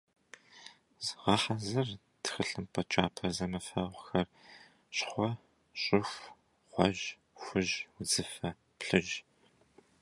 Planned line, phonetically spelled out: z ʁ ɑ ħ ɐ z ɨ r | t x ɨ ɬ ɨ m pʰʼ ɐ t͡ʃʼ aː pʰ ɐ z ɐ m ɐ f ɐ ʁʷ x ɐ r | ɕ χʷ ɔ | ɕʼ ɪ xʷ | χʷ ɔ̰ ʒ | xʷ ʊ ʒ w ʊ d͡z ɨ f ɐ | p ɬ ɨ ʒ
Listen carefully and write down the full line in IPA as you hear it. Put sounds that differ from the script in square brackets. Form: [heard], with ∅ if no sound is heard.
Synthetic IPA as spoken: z ʁ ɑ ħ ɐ z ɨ r | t x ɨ ɬ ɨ m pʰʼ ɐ t͡ʃʼ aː pʰ ɐ z ɐ m ɐ f ɐ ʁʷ x ɐ r | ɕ χʷ ɔ | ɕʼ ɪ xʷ | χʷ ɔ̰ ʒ | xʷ ʊ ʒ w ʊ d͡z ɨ f ɐ | p ɬ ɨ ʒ